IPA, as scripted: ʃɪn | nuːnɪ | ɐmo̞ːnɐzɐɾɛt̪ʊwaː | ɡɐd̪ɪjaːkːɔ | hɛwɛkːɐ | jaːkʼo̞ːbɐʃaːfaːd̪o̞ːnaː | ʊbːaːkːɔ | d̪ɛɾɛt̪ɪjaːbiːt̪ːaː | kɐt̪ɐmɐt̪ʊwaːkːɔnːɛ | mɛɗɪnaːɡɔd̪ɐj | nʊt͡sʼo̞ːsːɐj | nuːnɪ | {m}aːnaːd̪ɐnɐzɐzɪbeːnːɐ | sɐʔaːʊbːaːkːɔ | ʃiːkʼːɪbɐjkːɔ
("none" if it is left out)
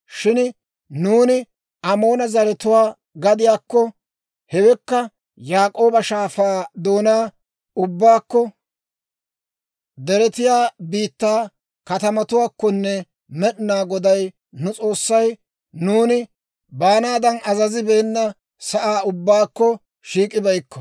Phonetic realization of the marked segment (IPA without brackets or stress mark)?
b